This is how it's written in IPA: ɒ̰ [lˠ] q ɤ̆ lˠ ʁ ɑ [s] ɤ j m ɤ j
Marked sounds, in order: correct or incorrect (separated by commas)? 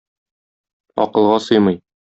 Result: incorrect, correct